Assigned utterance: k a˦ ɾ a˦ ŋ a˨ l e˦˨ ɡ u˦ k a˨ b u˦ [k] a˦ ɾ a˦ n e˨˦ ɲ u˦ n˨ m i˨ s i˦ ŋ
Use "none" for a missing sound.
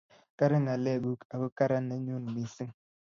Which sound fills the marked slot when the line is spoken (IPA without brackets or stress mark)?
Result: k